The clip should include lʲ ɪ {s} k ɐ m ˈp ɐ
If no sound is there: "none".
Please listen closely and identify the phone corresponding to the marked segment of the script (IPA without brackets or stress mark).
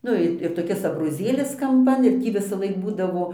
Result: s